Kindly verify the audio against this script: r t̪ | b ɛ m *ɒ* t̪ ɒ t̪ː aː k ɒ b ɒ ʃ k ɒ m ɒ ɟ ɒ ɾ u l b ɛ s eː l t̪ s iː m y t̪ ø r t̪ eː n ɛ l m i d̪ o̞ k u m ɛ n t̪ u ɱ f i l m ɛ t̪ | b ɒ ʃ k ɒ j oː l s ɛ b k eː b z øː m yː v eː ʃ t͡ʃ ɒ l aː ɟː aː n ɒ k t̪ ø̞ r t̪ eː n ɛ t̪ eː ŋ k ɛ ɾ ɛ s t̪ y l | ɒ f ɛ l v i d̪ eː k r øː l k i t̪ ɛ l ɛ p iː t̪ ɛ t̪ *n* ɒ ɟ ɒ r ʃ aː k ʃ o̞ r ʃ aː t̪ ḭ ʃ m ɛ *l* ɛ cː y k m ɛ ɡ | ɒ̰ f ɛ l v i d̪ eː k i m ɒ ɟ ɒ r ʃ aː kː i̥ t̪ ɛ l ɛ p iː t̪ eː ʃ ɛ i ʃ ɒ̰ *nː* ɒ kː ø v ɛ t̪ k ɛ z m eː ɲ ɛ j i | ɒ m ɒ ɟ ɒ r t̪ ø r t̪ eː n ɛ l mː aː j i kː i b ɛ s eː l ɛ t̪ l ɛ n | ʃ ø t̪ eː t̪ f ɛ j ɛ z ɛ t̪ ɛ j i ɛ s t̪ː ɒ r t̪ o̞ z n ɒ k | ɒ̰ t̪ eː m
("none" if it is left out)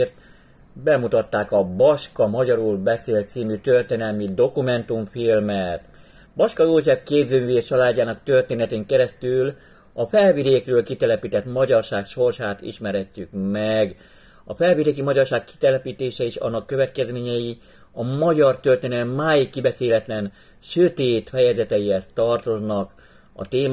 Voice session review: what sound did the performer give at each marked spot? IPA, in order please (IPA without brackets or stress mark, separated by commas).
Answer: u, m, ɾ, nː